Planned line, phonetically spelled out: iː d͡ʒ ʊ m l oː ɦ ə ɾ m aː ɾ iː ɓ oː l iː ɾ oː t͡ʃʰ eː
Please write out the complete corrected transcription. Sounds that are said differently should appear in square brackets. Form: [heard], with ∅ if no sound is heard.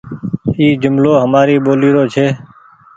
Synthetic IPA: iː d͡ʒ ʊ m l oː ɦ ə [∅] m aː ɾ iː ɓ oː l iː ɾ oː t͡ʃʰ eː